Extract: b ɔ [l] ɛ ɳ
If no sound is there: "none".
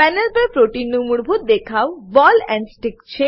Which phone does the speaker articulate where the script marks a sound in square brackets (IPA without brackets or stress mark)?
l